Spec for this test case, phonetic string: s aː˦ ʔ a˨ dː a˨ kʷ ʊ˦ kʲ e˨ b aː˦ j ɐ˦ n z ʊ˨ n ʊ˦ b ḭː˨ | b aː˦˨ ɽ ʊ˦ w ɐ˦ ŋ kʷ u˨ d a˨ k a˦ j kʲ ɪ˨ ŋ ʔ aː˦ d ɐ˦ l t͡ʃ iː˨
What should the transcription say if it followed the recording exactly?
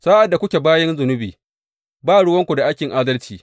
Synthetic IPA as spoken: s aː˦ ʔ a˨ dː a˨ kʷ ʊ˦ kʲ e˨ b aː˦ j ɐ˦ n z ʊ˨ n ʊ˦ b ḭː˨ | b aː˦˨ ɽ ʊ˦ w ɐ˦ ŋ kʷ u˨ d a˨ ʔ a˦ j kʲ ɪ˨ ŋ ʔ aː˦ d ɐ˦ l t͡ʃ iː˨